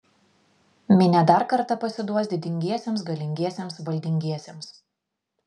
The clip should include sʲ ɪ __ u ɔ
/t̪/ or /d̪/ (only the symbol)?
d̪